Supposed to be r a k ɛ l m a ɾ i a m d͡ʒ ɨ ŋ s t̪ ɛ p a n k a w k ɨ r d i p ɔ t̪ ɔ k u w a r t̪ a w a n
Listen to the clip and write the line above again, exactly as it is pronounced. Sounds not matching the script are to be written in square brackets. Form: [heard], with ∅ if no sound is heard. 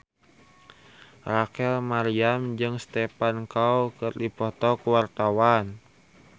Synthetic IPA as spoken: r a k ɛ l m a ɾ i a m d͡ʒ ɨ ŋ s t̪ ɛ p a n k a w k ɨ r d i p ɔ t̪ ɔ k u w a r t̪ a w a n